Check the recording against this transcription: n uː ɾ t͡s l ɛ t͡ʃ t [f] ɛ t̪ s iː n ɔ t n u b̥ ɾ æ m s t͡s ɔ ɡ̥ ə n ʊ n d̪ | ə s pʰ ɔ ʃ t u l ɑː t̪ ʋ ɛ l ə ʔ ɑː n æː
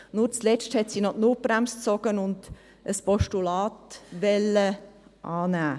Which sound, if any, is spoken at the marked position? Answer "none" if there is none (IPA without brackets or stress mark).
h